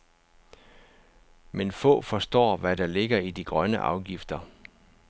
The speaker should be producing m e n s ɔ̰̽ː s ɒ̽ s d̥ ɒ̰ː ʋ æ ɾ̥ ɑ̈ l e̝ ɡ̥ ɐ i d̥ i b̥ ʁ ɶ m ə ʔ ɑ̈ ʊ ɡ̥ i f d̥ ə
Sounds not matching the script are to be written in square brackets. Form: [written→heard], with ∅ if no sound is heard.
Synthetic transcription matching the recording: m e n [s→f] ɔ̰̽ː [s→f] ɒ̽ s d̥ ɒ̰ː ʋ æ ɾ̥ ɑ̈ l e̝ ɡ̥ ɐ i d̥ i [b̥→ɡ̥] ʁ ɶ [m→n] ə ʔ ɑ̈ ʊ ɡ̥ i f d̥ [ə→ɐ]